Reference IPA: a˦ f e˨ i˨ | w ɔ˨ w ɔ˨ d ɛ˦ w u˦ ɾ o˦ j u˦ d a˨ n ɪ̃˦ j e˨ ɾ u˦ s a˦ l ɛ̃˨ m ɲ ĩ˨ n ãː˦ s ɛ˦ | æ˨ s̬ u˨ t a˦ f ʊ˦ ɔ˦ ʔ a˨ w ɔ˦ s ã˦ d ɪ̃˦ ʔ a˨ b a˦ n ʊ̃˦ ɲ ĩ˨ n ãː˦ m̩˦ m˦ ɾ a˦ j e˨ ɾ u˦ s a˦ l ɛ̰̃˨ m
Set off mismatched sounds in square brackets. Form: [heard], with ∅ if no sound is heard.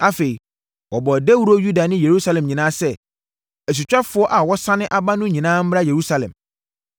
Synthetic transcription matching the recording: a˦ f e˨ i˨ | w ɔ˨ [b] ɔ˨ d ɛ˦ w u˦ ɾ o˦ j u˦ d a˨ n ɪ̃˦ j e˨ ɾ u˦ s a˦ l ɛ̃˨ m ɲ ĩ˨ n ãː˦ s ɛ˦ | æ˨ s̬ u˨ [t͡ɕᶣ] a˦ f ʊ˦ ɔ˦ ʔ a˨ w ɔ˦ s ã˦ [n] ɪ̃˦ ʔ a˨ b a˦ n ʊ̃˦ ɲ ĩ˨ n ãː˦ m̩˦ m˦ ɾ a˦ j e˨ ɾ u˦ s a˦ l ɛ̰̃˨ m